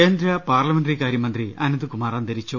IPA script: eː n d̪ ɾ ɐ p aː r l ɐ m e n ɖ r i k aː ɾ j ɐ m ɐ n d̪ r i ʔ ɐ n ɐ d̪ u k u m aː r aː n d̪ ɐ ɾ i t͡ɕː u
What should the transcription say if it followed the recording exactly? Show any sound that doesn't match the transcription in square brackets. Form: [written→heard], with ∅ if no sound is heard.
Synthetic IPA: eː n d̪ ɾ ɐ p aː r l ɐ m e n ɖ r i k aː ɾ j ɐ m ɐ n d̪ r i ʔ ɐ n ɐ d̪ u k u m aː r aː n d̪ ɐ ɾ i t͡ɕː u

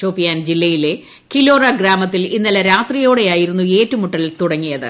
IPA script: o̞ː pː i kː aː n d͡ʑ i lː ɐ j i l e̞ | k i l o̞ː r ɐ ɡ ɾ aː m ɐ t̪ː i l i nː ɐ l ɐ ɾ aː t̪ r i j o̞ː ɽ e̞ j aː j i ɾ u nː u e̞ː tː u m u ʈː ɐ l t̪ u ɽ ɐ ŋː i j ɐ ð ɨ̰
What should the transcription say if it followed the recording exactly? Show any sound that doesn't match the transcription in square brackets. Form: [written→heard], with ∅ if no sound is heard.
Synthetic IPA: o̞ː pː i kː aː n d͡ʑ i lː ɐ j i l e̞ | k i l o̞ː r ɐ ɡ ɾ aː m ɐ t̪ː i l i nː ɐ l ɐ ɾ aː t̪ r i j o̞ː ɽ e̞ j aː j i ɾ u nː u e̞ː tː u m u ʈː ɐ l t̪ u ɽ ɐ ŋː i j ɐ ð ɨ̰

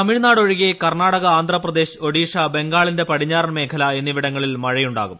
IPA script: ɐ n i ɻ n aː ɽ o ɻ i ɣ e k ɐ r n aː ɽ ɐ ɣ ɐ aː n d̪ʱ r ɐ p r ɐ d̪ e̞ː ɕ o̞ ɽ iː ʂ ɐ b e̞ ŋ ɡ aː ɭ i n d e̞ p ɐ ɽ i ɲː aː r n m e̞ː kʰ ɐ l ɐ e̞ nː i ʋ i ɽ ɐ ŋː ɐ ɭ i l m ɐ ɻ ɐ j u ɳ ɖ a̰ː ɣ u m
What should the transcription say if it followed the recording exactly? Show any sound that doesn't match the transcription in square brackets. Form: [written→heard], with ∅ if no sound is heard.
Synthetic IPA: ɐ [n→m] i ɻ n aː ɽ o ɻ i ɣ e k ɐ r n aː ɽ ɐ ɣ ɐ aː n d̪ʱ r ɐ p r ɐ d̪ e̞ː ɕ o̞ ɽ iː ʂ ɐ b e̞ ŋ ɡ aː ɭ i n d e̞ p ɐ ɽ i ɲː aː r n m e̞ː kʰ ɐ l ɐ e̞ nː i ʋ i ɽ ɐ ŋː ɐ ɭ i l m ɐ ɻ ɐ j u ɳ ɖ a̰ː ɣ u m

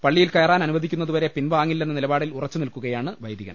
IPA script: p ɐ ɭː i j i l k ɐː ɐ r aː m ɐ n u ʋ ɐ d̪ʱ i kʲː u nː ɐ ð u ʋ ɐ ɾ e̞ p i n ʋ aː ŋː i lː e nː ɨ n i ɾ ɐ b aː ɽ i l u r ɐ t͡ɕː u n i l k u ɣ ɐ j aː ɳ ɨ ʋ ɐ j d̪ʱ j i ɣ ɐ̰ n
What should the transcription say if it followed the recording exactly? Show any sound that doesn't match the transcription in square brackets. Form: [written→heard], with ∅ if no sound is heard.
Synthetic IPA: p ɐ ɭː i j i l k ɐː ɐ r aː [m→n] ɐ n u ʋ ɐ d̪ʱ i kʲː u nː ɐ ð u ʋ ɐ ɾ e̞ p i n ʋ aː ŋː i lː e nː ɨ n i [ɾ→l] ɐ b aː ɽ i l u r ɐ t͡ɕː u n i l k u ɣ ɐ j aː ɳ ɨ ʋ ɐ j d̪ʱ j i ɣ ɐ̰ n

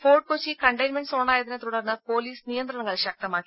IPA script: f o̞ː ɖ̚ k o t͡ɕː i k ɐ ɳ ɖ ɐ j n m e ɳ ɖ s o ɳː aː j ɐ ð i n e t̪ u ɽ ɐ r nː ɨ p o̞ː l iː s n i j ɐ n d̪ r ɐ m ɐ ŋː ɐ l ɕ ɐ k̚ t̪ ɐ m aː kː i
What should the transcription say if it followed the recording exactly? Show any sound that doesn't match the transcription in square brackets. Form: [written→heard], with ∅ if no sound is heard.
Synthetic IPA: f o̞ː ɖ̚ k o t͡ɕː i k ɐ ɳ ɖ ɐ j n m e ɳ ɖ s o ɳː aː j ɐ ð i n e t̪ u ɽ ɐ r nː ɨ p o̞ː l iː s n i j ɐ n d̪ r ɐ [m→ɳ] ɐ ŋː ɐ [l→ɭ] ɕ ɐ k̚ t̪ ɐ m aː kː i

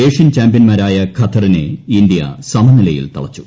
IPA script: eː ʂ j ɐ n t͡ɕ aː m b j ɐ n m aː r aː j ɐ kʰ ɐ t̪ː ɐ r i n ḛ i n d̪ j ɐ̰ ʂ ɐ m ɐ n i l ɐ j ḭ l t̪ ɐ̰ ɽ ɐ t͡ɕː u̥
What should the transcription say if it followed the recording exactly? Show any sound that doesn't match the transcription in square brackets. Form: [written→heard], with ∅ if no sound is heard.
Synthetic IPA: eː ʂ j ɐ n t͡ɕ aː m b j ɐ n m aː [r→ɾ] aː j ɐ kʰ ɐ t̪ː ɐ r i n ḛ i n d̪ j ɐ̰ [ʂ→s] ɐ m ɐ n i l ɐ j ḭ l t̪ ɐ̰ [ɽ→ɭ] ɐ t͡ɕː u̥

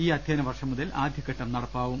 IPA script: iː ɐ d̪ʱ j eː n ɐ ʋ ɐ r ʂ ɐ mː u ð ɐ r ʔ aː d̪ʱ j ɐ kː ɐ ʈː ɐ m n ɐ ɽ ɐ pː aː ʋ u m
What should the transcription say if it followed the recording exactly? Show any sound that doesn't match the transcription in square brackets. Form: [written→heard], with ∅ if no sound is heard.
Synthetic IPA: iː ɐ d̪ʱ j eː n ɐ ʋ ɐ r ʂ ɐ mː u ð ɐ [r→l] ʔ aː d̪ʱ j ɐ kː ɐ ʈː ɐ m n ɐ ɽ ɐ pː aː ʋ u m

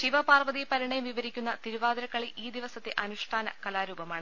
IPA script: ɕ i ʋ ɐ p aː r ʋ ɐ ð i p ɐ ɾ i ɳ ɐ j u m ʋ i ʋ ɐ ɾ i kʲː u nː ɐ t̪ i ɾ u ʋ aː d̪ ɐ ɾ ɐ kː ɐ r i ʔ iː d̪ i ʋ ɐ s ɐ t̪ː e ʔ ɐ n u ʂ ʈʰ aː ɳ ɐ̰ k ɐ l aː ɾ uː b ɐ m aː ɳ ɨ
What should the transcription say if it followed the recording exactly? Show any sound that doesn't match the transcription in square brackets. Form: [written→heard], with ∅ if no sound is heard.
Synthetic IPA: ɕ i ʋ ɐ p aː r ʋ ɐ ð i p ɐ ɾ i ɳ ɐ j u m ʋ i ʋ ɐ ɾ i kʲː u nː ɐ t̪ i ɾ u ʋ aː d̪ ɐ ɾ ɐ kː ɐ [r→ɭ] i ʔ iː d̪ i ʋ ɐ s ɐ t̪ː e ʔ ɐ n u ʂ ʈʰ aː [ɳ→n] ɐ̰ k ɐ l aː ɾ uː b ɐ m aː ɳ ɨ

